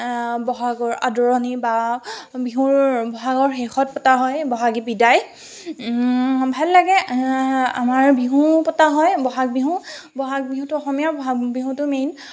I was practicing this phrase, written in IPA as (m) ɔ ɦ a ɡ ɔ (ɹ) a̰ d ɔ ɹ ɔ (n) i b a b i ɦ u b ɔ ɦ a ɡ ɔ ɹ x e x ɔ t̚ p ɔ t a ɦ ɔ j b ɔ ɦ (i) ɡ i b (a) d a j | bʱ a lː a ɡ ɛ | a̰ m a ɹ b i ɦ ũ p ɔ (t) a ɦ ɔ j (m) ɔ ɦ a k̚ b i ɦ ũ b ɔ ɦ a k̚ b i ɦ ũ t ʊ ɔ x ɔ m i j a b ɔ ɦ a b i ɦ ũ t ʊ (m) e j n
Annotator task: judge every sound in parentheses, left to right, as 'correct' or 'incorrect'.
incorrect: b, correct, correct, incorrect: a, incorrect: i, correct, incorrect: b, correct

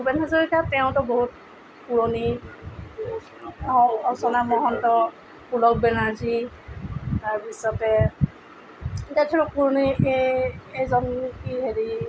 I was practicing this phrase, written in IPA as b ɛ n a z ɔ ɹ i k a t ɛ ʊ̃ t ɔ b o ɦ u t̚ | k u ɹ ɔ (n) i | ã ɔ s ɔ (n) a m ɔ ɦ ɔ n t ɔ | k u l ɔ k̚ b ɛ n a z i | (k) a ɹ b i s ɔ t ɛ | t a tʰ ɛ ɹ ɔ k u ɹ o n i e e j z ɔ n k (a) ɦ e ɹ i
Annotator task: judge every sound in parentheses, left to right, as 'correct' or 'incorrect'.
correct, correct, incorrect: t, incorrect: i

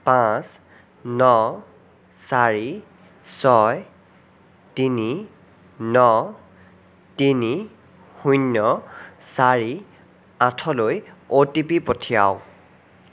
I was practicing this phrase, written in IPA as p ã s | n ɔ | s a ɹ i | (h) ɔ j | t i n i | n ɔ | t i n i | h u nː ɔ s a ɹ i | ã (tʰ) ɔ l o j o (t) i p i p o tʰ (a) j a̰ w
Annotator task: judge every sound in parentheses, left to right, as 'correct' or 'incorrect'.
incorrect: s, correct, correct, incorrect: i

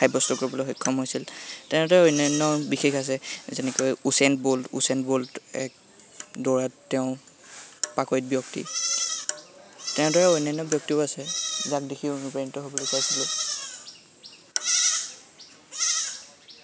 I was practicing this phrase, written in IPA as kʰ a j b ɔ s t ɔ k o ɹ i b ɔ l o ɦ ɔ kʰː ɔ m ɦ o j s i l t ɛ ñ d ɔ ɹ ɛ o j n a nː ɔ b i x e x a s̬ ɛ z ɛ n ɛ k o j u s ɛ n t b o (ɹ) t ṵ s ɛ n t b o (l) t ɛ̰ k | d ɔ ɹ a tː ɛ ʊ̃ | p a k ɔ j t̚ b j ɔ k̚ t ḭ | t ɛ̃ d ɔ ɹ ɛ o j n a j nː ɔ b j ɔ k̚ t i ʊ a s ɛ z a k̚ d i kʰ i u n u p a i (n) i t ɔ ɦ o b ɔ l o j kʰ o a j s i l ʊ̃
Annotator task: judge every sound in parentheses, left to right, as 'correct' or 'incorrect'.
incorrect: l, correct, correct

